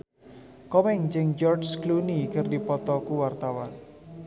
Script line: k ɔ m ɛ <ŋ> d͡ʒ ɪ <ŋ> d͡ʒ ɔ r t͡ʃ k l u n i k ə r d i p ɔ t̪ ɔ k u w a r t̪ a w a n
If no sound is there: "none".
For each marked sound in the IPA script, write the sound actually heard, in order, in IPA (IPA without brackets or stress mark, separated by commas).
ŋ, ŋ